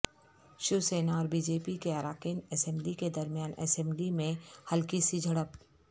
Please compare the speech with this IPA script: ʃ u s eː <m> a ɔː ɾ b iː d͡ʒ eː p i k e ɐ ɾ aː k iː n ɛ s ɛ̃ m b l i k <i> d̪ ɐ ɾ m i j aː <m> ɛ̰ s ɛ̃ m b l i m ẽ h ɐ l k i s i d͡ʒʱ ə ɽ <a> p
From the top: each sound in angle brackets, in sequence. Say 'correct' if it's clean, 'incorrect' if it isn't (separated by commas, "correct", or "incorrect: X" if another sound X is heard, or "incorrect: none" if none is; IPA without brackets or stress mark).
incorrect: n, incorrect: e, incorrect: n, incorrect: ə